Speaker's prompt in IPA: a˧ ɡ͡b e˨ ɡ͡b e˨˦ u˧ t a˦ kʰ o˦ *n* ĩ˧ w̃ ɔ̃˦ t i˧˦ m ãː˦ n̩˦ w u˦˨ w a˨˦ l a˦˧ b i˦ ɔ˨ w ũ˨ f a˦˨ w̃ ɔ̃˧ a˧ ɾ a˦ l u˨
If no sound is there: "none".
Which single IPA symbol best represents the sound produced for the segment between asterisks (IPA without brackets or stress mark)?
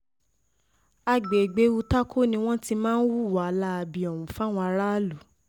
n